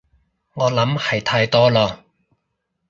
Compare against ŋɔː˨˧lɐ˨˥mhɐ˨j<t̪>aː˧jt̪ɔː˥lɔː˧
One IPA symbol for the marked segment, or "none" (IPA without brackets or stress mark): t̪ʰ